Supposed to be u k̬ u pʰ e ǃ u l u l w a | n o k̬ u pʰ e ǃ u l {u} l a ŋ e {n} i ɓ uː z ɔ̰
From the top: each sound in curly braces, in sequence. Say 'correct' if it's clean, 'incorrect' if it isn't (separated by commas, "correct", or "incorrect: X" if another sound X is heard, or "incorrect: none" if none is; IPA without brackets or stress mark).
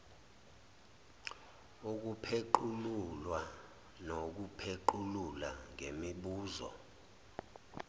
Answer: correct, incorrect: m